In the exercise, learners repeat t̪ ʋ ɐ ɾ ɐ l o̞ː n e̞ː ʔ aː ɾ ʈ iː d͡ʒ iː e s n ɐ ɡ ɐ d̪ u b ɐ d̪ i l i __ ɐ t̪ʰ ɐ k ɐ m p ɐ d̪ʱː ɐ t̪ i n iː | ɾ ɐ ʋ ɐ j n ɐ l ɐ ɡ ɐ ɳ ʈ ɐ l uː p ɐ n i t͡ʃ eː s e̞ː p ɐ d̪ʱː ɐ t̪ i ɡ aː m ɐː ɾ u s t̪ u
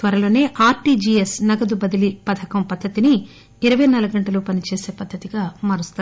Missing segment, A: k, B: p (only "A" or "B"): B